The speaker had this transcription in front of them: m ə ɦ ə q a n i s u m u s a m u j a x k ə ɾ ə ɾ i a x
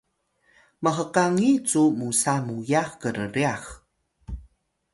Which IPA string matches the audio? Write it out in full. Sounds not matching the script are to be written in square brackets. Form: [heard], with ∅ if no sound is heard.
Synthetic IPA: m ə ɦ ə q a [ŋ] i [t͡s] u m u s a m u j a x k ə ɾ ə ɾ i a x